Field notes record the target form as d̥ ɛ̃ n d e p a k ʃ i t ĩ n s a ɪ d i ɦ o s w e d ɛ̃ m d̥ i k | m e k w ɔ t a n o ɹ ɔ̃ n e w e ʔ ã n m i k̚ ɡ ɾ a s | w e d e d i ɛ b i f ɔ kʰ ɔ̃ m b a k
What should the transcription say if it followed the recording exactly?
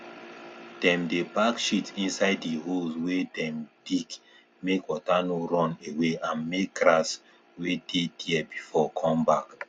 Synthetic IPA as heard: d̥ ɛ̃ m d e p a k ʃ i t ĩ n s a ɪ d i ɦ o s w e d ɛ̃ m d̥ i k | m e k w ɔ t a n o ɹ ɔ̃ n e w e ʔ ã n m e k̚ ɡ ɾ a s | w e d e d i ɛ b i f ɔ kʰ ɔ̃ m b a k